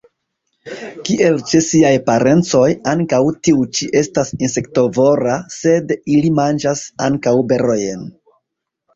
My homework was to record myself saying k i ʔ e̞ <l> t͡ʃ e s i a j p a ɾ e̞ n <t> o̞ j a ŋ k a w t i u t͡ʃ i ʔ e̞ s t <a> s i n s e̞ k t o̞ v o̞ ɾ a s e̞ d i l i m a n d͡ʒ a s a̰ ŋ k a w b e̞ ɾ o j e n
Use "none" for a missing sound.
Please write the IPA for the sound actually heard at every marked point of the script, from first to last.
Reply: l, t͡s, a

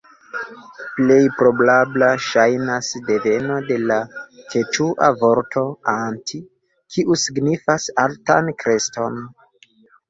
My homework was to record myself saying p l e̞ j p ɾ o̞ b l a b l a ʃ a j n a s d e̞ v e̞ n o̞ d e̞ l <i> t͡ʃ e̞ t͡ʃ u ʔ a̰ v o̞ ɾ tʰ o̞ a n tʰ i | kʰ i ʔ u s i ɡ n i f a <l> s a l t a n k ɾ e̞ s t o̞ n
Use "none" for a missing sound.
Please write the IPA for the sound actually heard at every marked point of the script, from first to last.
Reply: a, none

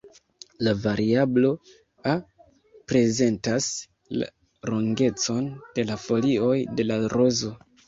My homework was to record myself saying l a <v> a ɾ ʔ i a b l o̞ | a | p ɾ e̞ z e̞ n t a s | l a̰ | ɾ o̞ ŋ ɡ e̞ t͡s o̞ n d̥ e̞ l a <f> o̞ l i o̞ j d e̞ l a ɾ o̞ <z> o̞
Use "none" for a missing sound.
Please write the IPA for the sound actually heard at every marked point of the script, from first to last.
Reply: v, f, z

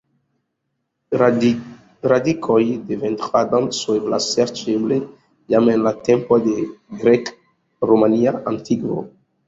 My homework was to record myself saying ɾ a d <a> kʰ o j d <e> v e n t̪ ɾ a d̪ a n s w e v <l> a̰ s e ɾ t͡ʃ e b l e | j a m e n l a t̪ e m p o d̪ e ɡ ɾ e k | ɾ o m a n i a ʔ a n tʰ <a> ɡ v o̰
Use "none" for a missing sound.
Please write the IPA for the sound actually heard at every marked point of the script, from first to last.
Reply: i, e, l, i

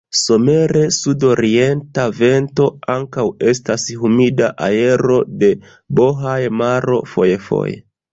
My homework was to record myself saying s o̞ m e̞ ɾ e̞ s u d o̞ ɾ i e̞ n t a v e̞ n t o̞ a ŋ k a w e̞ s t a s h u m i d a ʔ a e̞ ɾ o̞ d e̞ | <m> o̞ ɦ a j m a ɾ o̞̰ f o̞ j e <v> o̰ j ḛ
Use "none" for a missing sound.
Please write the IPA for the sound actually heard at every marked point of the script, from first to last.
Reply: b, f

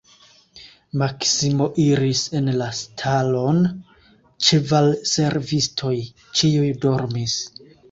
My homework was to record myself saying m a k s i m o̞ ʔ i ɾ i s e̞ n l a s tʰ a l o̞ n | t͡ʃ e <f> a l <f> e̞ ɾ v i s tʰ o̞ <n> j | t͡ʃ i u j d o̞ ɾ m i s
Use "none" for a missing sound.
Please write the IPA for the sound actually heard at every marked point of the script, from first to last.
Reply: v, s, none

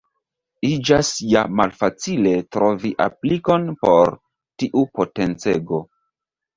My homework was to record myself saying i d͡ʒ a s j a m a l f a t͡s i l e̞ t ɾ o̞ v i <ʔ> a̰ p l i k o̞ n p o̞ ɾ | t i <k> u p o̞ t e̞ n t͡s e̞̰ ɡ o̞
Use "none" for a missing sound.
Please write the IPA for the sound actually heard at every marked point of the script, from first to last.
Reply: ʔ, ʔ

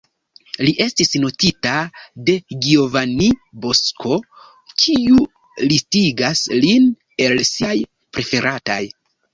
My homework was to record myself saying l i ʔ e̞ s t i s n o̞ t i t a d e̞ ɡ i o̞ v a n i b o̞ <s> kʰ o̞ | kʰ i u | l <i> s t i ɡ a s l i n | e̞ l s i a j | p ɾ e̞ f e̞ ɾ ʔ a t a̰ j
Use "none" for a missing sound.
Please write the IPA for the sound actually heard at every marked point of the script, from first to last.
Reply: s, i

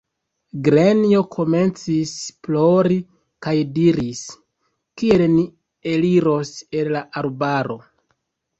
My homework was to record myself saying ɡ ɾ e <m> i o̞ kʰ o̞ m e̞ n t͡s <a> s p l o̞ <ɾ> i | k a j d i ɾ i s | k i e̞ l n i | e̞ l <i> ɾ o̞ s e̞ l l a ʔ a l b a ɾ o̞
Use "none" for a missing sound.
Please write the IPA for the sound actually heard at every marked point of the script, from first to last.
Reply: n, i, ɾ, i

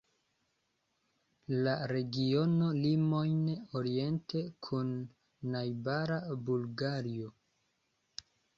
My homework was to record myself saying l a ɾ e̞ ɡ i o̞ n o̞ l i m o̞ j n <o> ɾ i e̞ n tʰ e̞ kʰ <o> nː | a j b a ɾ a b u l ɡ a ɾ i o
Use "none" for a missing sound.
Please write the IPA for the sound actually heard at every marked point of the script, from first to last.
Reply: o, u

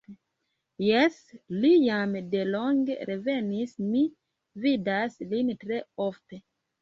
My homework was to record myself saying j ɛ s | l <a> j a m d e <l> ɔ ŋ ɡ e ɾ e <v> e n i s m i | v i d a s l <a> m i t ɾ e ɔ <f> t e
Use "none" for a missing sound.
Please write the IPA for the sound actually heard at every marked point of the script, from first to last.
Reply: i, l, v, i, f

